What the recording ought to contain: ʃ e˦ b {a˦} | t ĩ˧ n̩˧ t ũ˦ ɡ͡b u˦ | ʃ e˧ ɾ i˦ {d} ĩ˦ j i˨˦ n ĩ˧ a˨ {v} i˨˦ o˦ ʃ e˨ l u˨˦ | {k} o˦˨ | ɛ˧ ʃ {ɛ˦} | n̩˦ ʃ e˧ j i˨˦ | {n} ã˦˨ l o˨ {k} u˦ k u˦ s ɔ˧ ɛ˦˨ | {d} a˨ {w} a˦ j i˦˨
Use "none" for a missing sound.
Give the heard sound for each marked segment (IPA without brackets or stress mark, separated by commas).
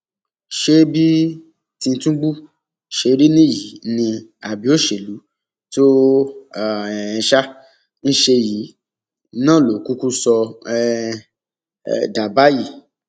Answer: i˦, n, b, t, a˦, n, k, d, b